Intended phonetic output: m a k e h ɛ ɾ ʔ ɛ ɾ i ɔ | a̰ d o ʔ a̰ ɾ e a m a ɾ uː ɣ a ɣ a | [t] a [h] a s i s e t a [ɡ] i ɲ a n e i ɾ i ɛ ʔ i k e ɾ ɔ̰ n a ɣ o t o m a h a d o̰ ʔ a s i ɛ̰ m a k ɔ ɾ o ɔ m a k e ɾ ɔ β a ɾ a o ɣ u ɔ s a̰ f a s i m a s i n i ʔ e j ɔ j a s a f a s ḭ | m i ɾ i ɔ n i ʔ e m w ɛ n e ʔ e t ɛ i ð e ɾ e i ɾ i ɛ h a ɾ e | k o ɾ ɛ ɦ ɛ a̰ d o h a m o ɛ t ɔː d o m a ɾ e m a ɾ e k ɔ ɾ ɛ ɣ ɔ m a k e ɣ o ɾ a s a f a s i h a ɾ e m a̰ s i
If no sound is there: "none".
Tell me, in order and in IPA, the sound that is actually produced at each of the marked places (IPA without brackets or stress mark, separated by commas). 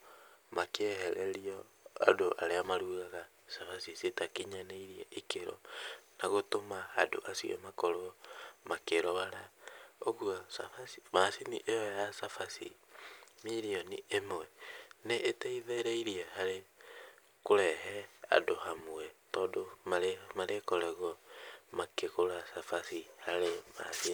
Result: s, f, k